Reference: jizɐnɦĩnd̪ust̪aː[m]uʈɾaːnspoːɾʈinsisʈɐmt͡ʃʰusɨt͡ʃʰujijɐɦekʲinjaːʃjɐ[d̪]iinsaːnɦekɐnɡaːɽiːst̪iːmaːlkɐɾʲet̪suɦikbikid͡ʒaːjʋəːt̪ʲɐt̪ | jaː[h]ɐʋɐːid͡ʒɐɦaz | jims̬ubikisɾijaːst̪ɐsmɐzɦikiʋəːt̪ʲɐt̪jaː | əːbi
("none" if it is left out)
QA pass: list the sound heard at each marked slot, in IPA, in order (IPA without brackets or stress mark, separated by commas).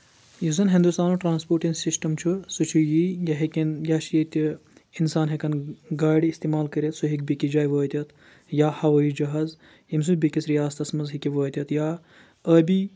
n, t̪, h